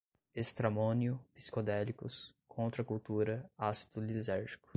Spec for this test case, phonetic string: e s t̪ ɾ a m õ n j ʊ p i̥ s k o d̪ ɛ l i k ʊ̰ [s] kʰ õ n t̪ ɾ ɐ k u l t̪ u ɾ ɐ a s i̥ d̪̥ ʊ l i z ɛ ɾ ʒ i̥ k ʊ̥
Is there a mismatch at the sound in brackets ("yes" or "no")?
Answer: no